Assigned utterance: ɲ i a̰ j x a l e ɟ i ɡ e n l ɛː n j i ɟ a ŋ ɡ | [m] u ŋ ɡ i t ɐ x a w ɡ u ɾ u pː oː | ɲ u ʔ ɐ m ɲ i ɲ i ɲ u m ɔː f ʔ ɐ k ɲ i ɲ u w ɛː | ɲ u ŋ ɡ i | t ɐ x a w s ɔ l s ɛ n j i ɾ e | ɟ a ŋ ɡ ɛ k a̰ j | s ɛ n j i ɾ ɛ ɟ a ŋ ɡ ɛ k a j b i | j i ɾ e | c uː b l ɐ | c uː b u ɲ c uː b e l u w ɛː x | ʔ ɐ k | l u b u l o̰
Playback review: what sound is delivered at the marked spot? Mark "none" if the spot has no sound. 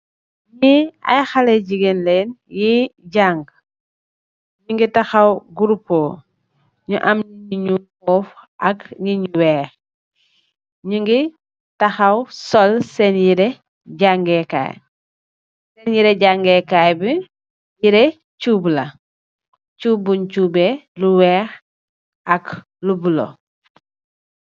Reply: ɲ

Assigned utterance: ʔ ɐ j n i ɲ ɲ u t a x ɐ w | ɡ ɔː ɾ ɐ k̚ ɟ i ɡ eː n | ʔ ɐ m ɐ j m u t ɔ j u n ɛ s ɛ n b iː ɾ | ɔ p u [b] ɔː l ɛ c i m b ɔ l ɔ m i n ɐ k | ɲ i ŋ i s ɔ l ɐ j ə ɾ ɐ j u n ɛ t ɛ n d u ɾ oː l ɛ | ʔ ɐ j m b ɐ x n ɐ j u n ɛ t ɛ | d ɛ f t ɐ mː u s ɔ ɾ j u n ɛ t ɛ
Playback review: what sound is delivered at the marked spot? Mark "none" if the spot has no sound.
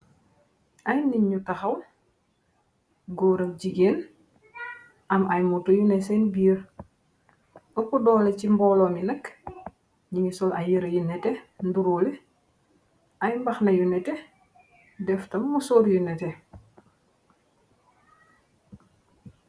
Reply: d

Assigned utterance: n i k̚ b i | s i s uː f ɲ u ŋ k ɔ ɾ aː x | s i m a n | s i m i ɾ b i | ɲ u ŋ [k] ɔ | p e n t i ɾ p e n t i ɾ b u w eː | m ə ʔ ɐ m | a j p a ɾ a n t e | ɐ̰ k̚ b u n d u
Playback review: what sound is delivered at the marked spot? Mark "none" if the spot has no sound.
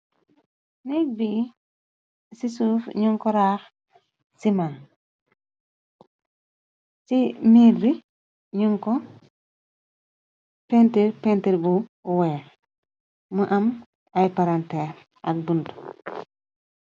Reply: k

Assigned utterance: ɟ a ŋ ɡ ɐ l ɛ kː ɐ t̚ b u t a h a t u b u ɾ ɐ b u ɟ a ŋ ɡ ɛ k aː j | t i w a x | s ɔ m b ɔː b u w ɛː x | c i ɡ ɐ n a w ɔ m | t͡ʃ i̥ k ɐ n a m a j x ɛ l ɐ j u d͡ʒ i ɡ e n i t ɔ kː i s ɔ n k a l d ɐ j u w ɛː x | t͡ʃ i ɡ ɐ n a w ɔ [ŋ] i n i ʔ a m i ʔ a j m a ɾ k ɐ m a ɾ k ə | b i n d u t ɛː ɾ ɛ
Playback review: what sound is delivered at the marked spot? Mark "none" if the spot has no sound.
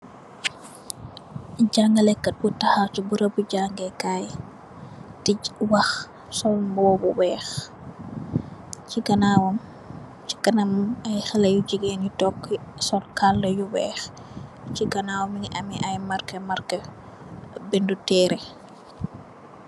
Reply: m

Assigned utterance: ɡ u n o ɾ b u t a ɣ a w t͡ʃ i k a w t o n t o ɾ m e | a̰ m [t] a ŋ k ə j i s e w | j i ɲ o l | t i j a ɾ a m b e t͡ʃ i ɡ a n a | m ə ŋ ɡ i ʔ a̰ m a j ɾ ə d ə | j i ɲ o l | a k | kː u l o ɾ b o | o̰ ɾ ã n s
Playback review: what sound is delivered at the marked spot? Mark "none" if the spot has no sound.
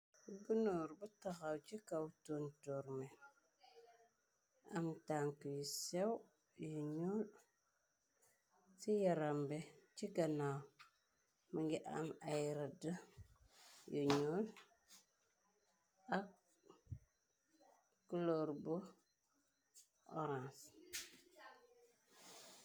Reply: t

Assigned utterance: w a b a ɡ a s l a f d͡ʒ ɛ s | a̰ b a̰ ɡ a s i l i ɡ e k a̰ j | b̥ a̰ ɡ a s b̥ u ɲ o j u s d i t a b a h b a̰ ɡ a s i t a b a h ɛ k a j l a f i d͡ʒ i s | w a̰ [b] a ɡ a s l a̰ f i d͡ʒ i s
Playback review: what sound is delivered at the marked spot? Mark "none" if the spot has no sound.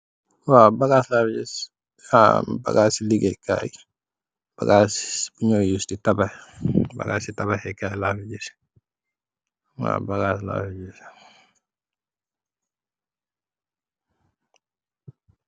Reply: b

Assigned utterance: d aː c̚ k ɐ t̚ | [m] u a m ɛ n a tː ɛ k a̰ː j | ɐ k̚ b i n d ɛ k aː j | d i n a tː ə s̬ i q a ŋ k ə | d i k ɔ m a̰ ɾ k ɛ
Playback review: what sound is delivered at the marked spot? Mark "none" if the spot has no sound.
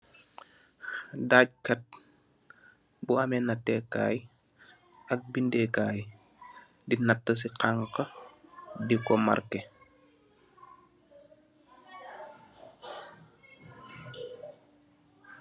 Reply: b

